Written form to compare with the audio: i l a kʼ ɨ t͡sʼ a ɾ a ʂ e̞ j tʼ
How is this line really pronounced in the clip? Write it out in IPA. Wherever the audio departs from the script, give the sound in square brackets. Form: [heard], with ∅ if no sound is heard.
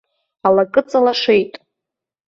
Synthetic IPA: [a] l a kʼ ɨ t͡sʼ a [l] a ʂ e̞ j tʼ